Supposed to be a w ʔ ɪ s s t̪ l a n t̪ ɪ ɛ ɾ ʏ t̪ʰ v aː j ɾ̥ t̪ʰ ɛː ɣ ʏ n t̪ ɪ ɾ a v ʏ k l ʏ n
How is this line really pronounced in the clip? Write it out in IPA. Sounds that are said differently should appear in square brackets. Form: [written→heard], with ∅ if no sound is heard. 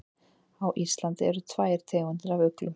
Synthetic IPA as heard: a w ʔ [ɪ→i] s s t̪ l a n t̪ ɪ ɛ ɾ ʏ t̪ʰ v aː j ɾ̥ t̪ʰ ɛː ɣ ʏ n t̪ ɪ ɾ a v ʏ k l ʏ [n→m]